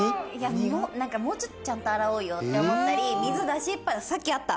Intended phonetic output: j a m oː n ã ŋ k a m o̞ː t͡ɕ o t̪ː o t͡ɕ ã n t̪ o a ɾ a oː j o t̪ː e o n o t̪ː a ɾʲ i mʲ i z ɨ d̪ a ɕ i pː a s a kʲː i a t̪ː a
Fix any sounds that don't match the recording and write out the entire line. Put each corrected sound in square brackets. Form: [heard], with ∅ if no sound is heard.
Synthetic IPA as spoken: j a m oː n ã ŋ k a m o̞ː t͡ɕ o t̪ː o t͡ɕ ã n t̪ o a ɾ a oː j o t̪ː e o [m] o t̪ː a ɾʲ i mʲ i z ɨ d̪ a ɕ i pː a s a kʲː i a t̪ː a